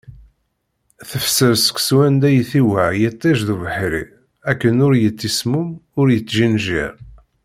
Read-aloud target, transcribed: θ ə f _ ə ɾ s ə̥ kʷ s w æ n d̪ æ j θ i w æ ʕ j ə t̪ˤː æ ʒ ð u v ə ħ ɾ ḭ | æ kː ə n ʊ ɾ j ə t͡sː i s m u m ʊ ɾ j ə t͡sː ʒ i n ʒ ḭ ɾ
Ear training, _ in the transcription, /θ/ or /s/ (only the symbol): s